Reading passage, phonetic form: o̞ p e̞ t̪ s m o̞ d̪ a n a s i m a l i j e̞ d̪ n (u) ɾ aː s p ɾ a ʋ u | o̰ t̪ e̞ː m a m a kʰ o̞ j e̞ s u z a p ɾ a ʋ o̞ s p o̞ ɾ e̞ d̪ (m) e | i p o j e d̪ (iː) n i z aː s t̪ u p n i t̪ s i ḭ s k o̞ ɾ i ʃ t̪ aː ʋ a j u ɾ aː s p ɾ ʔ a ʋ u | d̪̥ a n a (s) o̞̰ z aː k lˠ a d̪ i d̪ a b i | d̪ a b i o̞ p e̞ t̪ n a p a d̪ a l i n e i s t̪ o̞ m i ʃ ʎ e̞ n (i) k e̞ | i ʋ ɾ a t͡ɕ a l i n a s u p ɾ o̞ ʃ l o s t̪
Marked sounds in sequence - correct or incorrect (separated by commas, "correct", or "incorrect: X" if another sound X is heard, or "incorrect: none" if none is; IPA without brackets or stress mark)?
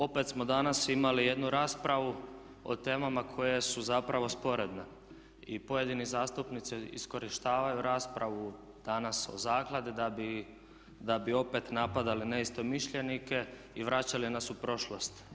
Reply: correct, incorrect: n, incorrect: i, correct, correct